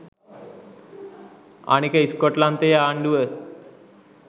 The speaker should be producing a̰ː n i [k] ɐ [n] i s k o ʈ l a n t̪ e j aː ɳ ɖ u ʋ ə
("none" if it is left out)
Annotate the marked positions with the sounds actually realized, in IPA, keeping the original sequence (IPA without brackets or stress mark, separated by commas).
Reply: k, none